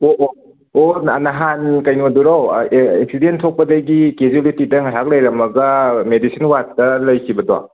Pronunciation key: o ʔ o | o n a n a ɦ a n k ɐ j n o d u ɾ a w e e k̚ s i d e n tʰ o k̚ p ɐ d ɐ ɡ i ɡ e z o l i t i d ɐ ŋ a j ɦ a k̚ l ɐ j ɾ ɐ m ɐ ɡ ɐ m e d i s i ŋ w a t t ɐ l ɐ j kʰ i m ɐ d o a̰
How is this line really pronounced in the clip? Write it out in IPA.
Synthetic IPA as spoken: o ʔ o | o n a n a ɦ a n k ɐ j n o d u ɾ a w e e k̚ s i d e n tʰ o k̚ p ɐ d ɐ ɡ i k e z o l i t i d ɐ ŋ a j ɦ a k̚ l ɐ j ɾ ɐ m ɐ ɡ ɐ m e d i s i n w a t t ɐ l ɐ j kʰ i b ɐ d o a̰